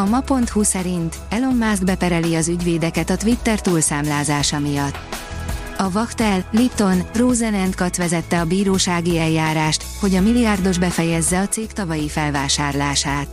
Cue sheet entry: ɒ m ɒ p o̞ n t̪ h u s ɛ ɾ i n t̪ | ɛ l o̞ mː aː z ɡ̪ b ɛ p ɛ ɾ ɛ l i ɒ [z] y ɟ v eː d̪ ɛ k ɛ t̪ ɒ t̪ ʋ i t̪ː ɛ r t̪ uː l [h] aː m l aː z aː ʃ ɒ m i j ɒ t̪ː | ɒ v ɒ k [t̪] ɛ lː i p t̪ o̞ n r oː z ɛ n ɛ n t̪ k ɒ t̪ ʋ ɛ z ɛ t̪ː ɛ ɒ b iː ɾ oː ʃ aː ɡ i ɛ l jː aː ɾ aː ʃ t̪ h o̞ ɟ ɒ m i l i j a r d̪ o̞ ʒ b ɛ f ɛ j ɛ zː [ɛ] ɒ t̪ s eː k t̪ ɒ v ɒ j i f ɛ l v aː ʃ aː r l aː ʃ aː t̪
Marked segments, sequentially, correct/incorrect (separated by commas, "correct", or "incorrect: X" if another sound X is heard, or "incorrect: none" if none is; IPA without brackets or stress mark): correct, incorrect: s, correct, correct